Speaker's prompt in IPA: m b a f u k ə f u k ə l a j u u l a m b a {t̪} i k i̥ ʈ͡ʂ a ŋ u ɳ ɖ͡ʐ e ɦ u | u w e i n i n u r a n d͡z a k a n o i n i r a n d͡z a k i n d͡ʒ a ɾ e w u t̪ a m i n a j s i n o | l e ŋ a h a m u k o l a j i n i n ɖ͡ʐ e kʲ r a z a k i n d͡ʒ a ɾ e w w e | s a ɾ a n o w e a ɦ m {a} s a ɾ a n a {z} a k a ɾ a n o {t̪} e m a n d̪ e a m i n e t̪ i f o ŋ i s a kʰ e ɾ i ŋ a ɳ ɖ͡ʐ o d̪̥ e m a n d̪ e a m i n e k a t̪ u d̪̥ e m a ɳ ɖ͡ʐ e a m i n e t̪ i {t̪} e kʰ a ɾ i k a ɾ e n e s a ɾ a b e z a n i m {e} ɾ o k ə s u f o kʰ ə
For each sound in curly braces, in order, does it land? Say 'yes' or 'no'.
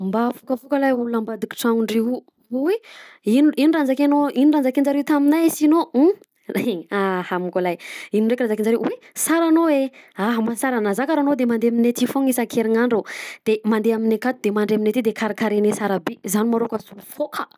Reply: no, yes, yes, no, no, no

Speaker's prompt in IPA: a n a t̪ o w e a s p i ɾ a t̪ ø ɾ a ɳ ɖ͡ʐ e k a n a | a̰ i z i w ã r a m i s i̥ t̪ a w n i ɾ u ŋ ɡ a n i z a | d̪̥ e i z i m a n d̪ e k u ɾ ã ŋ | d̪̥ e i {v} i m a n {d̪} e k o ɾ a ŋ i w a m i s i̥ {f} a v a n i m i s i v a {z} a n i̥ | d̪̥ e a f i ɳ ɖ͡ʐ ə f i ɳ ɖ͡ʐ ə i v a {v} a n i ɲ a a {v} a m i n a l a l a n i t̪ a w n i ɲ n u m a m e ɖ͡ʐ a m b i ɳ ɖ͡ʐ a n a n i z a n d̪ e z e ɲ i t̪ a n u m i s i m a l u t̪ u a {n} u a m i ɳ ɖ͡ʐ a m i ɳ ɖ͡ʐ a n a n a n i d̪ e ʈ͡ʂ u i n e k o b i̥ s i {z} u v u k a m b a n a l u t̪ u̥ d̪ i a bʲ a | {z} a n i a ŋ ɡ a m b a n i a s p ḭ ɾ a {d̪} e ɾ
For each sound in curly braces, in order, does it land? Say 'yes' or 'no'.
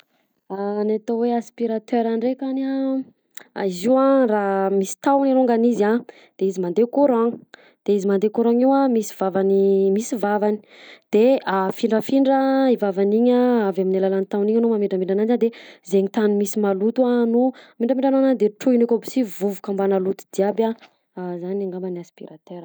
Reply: no, yes, no, no, yes, yes, yes, no, yes, no

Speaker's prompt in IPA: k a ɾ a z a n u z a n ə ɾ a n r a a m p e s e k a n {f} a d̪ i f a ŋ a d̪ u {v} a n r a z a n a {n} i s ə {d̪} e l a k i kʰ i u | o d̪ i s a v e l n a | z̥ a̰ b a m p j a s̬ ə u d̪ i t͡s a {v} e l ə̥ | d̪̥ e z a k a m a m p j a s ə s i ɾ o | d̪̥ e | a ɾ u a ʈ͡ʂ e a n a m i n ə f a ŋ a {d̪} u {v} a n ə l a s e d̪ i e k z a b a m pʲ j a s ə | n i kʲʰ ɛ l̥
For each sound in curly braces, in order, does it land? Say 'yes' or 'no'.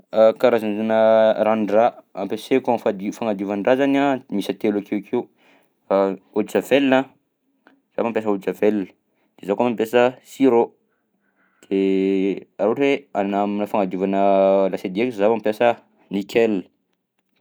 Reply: yes, yes, no, no, yes, yes, yes

